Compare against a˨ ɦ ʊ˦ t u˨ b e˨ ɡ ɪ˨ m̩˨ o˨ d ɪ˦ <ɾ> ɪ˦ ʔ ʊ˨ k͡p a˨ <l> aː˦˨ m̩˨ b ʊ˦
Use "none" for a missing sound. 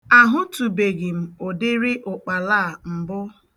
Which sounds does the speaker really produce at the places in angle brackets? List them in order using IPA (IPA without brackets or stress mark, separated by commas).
ɾ, l